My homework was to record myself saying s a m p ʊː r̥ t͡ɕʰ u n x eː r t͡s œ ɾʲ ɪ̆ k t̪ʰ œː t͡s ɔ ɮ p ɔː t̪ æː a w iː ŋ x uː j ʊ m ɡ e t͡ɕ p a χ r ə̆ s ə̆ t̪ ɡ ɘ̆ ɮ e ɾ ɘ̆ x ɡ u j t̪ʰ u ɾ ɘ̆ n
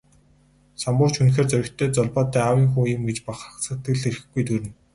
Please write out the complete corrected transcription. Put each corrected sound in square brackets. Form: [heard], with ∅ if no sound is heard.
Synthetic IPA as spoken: s a m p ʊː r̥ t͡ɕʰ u n x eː r t͡s œ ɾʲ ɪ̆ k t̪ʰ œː t͡s ɔ ɮ p ɔː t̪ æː a w iː ŋ x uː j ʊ m ɡ e t͡ɕ p a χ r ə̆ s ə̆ t̪ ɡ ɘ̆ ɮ e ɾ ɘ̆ x ɡ u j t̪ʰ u ɾ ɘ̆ n